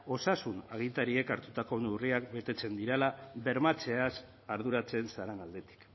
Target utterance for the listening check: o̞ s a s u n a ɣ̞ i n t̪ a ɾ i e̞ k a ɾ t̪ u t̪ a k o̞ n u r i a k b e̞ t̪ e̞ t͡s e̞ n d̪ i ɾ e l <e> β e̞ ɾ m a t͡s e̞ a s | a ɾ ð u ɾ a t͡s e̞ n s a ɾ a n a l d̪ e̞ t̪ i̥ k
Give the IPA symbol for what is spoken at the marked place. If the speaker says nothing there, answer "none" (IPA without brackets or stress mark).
a